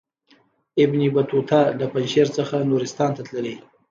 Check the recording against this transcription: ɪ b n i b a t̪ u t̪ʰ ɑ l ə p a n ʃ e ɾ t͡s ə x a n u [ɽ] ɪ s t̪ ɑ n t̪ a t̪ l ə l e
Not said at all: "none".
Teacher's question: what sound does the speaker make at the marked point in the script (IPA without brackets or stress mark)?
ɾ